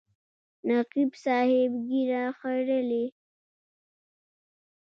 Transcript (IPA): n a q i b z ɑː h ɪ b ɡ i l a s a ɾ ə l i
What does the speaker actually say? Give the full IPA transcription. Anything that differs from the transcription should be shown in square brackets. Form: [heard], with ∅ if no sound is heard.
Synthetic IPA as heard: n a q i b [s] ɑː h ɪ b ɡ i [ɾ] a [x] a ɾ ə l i